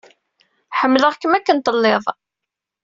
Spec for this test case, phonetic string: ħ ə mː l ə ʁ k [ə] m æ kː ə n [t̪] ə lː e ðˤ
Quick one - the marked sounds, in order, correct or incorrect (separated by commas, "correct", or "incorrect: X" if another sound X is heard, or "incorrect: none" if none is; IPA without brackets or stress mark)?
correct, correct